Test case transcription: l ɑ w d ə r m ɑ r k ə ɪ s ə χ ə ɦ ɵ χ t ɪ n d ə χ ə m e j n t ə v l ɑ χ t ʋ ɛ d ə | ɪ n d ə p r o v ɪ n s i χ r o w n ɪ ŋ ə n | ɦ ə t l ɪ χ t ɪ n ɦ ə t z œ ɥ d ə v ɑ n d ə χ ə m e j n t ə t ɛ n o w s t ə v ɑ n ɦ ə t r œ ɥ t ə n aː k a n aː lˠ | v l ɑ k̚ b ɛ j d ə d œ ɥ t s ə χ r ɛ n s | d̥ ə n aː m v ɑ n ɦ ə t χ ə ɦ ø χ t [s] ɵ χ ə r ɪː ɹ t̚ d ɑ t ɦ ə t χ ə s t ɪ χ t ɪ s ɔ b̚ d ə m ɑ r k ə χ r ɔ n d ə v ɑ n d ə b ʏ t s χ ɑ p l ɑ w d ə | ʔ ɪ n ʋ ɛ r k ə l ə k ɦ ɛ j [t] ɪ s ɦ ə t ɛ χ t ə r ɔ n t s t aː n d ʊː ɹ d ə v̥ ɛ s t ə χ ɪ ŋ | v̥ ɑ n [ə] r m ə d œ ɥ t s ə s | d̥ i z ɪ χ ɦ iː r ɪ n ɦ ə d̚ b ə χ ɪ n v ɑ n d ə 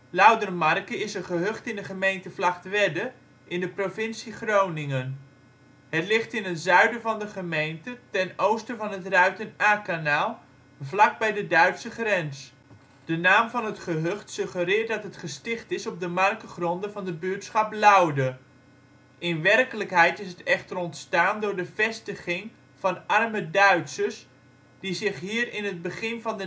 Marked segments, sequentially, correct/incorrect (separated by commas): correct, correct, incorrect